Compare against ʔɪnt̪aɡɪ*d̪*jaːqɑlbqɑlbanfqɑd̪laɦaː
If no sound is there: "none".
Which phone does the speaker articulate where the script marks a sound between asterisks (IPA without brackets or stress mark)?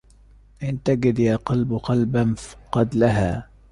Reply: d̪